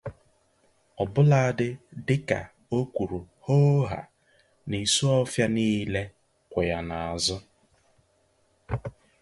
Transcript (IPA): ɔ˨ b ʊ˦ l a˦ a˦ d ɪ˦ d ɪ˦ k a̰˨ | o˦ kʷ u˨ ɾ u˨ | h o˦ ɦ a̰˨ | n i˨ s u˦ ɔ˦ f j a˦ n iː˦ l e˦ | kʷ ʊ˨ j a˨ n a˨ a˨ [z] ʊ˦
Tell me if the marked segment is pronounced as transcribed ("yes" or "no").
yes